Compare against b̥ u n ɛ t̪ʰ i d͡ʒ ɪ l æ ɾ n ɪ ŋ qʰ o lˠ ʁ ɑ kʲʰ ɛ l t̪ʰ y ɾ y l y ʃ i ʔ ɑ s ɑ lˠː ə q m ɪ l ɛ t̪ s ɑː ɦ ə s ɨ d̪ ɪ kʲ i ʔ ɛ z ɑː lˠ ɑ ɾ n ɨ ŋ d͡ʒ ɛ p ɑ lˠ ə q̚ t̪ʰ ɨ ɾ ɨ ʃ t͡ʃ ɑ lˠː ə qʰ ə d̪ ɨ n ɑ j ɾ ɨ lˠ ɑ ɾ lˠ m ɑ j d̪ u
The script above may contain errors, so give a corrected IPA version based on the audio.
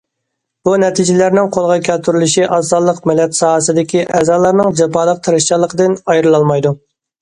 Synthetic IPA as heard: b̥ u n ɛ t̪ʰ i d͡ʒ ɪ l æ ɾ n ɪ ŋ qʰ o lˠ ʁ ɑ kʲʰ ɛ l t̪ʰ y ɾ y l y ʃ i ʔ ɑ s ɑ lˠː ə q m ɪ l ɛ t̪ s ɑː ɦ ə s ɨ d̪ ɪ kʲ i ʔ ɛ z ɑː lˠ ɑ ɾ n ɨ ŋ d͡ʒ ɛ p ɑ lˠ ə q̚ t̪ʰ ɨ ɾ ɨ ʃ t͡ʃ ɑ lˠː ə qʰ ə d̪ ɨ n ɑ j ɾ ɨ lˠ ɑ lˠ m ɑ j d̪ u